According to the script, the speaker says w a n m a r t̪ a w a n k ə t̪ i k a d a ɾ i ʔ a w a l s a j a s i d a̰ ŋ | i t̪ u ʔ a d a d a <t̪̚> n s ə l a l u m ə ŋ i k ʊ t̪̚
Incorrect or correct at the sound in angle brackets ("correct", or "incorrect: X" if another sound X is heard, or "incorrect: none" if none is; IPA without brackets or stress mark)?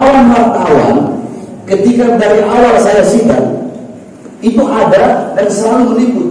incorrect: none